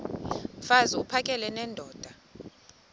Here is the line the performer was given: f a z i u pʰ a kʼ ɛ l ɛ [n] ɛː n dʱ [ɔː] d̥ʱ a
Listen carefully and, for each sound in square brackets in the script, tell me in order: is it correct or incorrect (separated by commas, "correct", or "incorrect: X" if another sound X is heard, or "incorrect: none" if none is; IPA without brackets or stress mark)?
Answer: correct, correct